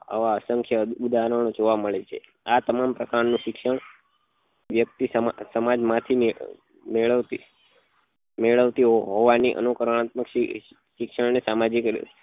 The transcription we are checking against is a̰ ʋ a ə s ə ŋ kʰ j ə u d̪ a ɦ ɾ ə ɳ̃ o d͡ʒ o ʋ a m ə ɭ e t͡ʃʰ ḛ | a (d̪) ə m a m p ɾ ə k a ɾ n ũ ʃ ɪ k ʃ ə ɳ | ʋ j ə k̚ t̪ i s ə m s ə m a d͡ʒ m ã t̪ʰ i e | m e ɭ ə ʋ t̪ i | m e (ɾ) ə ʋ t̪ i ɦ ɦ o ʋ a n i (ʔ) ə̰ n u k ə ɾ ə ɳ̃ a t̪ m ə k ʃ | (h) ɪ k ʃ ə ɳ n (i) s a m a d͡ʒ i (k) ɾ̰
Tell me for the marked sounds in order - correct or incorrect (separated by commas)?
incorrect, incorrect, correct, incorrect, incorrect, correct